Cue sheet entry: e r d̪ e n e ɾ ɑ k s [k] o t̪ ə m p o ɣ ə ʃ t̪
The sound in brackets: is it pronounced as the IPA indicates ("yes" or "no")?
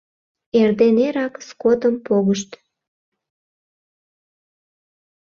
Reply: yes